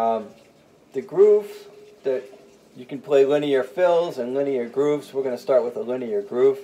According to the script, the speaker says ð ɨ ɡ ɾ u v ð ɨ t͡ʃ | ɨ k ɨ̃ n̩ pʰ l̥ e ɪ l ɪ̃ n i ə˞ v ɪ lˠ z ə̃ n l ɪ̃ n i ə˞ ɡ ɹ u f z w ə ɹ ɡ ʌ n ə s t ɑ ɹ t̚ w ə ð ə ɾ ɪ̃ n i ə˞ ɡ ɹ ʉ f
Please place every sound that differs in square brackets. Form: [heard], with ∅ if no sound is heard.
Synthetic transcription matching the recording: ð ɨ ɡ [ɹ] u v ð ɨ t͡ʃ | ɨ k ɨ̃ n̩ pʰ l̥ e ɪ l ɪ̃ n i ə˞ [f] ɪ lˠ z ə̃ n l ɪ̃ n i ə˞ ɡ ɹ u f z w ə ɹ ɡ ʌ n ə s t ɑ ɹ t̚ w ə ð ə [l] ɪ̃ n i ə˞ ɡ ɹ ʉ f